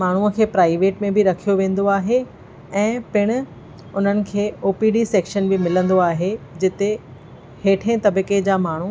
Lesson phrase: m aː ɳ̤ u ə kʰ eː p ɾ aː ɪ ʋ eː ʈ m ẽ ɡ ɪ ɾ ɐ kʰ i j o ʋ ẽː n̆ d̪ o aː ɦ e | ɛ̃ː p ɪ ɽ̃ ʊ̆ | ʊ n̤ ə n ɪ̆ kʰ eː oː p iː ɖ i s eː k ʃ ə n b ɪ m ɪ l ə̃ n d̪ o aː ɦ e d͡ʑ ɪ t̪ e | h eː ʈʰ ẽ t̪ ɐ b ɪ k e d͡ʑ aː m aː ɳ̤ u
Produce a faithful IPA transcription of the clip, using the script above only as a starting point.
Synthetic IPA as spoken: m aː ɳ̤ u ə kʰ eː p ɾ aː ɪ ʋ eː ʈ m ẽ b ɪ ɾ ɐ kʰ i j o ʋ ẽː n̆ d̪ o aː ɦ e | ɛ̃ː p ɪ ɽ̃ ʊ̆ | ʊ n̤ ə n ɪ̆ kʰ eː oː p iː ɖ i s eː k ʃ ə n b ɪ m ɪ l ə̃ n d̪ o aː ɦ e d͡ʑ ɪ t̪ e | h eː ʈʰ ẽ t̪ ɐ b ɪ k e d͡ʑ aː m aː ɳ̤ u